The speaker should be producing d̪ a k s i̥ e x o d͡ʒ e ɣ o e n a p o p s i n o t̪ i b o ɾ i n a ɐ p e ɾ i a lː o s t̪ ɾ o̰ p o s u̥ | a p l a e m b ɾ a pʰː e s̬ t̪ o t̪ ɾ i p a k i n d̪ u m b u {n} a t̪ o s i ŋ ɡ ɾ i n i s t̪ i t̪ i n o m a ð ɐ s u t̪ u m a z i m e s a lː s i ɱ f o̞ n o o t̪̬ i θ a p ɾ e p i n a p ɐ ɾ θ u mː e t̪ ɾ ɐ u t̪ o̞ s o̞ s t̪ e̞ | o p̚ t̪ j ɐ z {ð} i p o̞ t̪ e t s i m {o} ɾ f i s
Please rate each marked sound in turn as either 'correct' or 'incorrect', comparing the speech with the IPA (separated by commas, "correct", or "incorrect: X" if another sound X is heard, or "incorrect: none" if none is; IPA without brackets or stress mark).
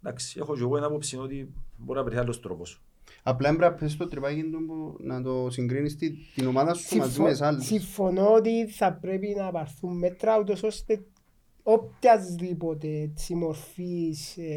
correct, correct, correct